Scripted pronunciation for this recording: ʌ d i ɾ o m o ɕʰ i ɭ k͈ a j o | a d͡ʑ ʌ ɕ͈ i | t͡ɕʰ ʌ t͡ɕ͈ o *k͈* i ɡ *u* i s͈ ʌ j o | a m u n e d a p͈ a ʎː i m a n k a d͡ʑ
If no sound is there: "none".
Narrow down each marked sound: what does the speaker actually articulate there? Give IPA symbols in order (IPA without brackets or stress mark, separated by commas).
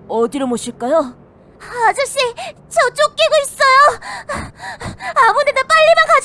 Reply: k͈, o